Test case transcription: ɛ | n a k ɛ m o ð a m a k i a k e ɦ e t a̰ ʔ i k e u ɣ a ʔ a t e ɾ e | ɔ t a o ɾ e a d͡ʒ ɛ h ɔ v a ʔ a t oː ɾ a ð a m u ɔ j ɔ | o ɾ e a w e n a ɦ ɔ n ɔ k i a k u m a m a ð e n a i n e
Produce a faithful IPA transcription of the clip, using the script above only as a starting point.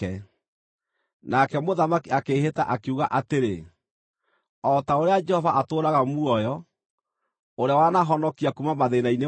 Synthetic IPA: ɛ | n a k ɛ m o ð a m a k i a k e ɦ e t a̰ ʔ a k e u ɣ a ʔ a t e ɾ e | ɔ t a o ɾ e a d͡ʒ ɛ h ɔ v a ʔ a t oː ɾ a ɣ a m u ɔ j ɔ | o ɾ e a w a n a ɦ ɔ n ɔ k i a k u m a m a ð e n a i n e